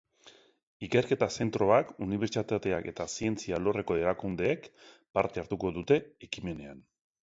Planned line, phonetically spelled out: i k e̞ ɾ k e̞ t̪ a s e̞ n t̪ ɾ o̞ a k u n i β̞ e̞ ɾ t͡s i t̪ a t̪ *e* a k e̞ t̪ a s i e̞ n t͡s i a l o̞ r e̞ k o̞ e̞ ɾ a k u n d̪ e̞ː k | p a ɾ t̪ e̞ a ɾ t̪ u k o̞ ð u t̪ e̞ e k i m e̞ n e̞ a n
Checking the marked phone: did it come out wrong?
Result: no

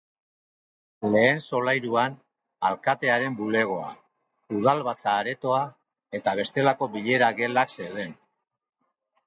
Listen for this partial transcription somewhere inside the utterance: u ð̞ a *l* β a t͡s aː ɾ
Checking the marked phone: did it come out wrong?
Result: no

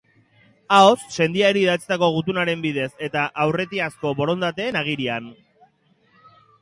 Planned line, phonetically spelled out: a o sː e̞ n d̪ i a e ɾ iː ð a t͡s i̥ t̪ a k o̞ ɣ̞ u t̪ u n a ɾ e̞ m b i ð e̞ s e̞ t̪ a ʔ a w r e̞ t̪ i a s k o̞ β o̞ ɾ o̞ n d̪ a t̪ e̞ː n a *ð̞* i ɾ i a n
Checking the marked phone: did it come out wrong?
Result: yes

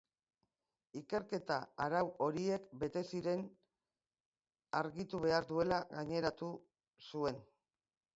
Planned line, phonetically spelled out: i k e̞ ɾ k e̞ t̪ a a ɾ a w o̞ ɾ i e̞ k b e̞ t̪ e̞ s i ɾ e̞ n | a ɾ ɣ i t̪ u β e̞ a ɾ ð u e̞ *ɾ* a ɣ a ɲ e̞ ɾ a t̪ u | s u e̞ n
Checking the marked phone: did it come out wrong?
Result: yes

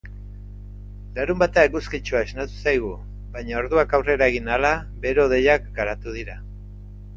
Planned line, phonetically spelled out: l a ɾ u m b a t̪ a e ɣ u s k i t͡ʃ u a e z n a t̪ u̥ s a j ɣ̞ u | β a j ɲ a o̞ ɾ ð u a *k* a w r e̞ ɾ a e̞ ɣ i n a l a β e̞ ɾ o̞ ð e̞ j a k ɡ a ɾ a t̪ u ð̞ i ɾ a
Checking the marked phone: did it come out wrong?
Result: no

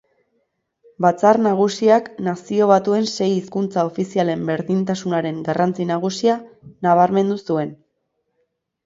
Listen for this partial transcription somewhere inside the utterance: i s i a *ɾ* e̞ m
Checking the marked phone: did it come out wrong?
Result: yes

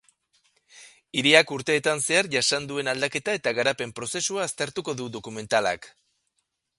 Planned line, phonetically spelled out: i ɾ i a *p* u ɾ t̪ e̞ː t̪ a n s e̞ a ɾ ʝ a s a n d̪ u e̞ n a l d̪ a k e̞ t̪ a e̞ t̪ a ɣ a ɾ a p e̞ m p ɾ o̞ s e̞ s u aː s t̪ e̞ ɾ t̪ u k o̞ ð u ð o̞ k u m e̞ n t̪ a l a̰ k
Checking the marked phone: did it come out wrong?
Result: yes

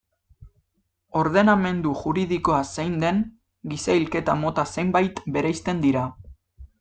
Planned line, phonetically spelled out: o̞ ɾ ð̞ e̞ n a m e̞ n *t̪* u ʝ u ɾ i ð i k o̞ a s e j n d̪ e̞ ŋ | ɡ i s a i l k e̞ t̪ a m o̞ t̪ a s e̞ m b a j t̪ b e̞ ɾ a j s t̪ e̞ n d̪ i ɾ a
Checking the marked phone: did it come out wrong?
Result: yes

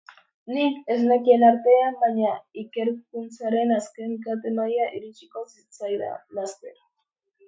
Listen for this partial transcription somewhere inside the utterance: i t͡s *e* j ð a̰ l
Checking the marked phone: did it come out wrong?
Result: yes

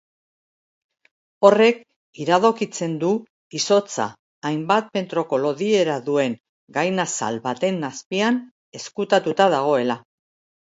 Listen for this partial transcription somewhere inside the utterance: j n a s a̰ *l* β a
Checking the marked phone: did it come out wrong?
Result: no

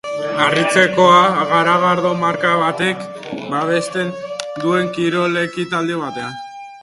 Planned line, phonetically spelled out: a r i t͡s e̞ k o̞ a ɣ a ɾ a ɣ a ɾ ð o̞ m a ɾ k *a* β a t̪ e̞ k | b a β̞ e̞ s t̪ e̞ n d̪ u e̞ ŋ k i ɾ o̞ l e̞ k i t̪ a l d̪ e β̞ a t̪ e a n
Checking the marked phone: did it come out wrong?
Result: no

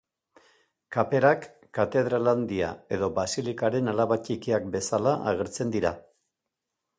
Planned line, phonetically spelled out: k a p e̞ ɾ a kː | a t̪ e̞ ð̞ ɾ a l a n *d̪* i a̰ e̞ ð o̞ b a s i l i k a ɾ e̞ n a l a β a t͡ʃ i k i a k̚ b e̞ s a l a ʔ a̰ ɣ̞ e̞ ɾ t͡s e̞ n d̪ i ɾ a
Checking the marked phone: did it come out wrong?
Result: no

